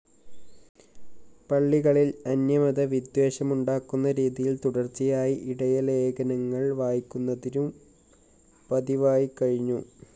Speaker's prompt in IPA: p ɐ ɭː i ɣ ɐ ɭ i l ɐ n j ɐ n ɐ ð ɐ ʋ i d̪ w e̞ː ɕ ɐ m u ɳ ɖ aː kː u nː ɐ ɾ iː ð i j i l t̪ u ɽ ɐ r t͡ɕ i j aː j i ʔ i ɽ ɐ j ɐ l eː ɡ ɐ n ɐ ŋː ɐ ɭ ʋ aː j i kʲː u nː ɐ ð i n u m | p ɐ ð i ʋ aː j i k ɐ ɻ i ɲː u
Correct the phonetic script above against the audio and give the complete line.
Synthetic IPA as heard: p ɐ ɭː i ɣ ɐ ɭ i l ɐ n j ɐ m ɐ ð ɐ ʋ i d̪ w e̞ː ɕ ɐ m u ɳ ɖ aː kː u nː ɐ ɾ iː ð i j i l t̪ u ɽ ɐ r t͡ɕ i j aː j i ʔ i ɽ ɐ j ɐ l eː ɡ ɐ n ɐ ŋː ɐ ɭ ʋ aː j i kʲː u nː ɐ ð i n u m | p ɐ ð i ʋ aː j i k ɐ ɻ i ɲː u